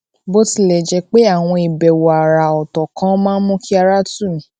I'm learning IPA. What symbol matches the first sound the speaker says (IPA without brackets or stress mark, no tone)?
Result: b